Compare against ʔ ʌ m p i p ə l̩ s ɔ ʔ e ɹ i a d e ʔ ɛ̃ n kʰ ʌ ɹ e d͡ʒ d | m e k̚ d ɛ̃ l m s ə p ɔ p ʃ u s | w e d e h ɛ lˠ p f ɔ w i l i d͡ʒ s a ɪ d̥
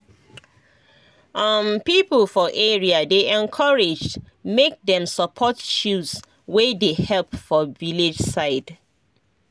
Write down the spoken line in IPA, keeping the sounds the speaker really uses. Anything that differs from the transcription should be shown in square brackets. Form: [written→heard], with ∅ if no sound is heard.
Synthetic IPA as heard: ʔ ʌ m p i p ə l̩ [s→f] ɔ ʔ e ɹ i a d e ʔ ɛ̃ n kʰ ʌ ɹ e d͡ʒ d | m e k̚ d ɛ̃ [l→∅] m s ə [p→pʰ] ɔ [p→t] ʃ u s | w e d e h ɛ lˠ p f ɔ [w→v] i l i d͡ʒ s a ɪ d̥

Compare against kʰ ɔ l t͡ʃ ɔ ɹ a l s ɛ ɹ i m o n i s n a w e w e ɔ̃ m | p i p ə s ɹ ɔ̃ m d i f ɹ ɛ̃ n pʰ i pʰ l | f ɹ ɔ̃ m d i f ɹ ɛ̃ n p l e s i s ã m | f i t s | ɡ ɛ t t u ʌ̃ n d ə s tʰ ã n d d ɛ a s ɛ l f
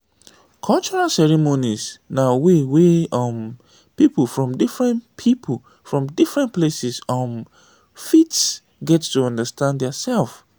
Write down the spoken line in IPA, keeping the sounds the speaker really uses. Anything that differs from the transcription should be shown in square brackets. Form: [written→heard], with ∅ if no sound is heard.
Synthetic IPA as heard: kʰ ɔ l t͡ʃ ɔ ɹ a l s ɛ ɹ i m o n i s n a w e w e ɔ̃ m | p i p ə [s→f] ɹ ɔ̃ m d i f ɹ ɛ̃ n pʰ i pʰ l | f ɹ ɔ̃ m d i f ɹ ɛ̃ n p l e s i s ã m | f i t s | ɡ ɛ t t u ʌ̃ n d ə s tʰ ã n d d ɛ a s ɛ l f

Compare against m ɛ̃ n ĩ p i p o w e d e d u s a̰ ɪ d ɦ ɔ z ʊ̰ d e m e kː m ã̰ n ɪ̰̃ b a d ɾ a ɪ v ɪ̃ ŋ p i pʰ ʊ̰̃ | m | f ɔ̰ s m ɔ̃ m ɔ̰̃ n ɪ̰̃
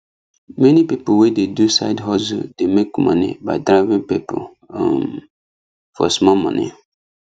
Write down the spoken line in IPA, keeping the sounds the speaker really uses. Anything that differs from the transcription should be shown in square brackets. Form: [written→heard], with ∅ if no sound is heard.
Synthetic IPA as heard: m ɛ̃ n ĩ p i p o w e d e d u s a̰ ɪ d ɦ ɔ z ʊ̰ d e m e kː m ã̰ n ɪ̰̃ b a d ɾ a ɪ v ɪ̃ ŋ p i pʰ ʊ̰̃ | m | f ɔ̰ s m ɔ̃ m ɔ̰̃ n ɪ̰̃

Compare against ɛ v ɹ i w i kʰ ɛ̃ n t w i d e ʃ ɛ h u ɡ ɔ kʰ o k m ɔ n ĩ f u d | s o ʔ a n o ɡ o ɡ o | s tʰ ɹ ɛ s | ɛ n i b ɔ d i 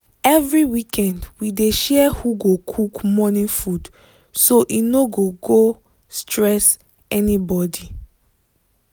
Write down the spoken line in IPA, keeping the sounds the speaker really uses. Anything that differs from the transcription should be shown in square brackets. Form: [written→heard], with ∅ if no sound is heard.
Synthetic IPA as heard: ɛ v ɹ i w i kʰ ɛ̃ n [t→d] w i d e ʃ ɛ h u ɡ [ɔ→o] kʰ [o→u] k m ɔ n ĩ f u d | s o ʔ [a→i] n o ɡ o ɡ o | s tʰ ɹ ɛ s | ɛ n i b ɔ d i

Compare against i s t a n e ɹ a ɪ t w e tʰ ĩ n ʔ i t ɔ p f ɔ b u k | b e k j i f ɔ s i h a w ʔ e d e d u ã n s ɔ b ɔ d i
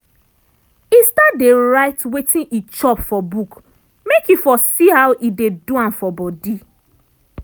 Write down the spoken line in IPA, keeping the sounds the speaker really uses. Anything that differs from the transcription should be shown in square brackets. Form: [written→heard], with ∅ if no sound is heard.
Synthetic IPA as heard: i s t a [n→d] e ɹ a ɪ t w e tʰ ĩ n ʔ i [t→t͡ʃ] ɔ p f ɔ b u k | [b→m] e k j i f ɔ s i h a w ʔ [e→i] d e d u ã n [s→f] ɔ b ɔ d i

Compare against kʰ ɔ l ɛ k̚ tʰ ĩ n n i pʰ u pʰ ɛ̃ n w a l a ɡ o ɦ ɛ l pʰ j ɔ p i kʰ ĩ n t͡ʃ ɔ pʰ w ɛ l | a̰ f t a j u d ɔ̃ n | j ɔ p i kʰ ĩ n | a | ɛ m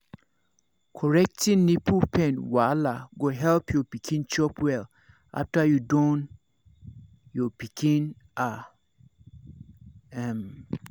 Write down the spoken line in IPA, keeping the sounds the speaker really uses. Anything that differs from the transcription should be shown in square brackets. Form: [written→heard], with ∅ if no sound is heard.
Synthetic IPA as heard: kʰ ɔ [l→ɹ] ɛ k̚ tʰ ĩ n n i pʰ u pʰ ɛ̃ n w a l a ɡ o ɦ ɛ l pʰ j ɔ p i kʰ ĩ n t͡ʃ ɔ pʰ w ɛ l | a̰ f t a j u d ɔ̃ n | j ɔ p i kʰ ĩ n | a | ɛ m

